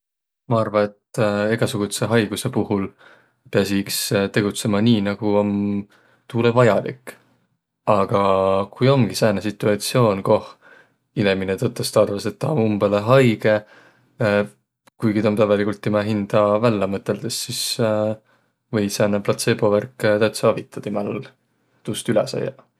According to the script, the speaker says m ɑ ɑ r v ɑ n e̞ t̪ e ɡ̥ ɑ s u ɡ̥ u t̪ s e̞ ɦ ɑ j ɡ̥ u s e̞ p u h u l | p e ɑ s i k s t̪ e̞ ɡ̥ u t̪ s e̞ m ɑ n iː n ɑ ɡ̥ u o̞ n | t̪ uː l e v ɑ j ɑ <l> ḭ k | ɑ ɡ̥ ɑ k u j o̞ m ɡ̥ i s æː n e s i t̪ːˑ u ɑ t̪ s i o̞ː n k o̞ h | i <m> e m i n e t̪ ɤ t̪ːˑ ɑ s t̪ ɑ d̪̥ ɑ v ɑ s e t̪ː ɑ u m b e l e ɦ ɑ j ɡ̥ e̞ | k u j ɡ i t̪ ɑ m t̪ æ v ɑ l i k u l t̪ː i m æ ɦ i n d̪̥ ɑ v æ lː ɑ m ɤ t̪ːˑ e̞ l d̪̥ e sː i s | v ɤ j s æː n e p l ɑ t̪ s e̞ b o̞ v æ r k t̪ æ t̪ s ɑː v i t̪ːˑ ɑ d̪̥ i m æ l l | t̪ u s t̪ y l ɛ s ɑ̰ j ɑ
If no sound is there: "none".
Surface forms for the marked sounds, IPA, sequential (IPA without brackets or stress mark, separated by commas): l, n